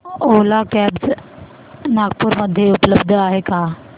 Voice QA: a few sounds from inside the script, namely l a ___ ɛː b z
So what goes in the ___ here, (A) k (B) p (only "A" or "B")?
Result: A